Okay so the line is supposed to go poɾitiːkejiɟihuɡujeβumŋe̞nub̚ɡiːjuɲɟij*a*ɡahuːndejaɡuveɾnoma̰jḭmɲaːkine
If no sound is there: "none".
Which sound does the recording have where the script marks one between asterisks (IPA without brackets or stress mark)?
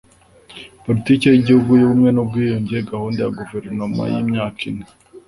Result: e